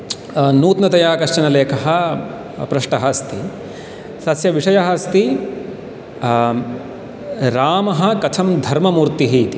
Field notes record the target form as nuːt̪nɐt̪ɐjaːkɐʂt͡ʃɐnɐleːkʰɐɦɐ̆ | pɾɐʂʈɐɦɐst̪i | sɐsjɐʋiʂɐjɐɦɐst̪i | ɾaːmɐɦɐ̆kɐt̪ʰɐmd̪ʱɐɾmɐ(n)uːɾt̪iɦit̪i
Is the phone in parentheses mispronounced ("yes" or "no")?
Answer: yes